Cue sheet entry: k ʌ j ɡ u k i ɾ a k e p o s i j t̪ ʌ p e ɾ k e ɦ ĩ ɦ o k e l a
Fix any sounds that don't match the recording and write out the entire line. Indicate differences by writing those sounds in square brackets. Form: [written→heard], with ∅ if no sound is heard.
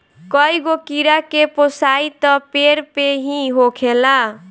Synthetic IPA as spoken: k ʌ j ɡ [u→o] k i ɾ a k e p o s [i→a] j t̪ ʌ p e ɾ [k→p] e ɦ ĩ ɦ o [k→kʰ] e l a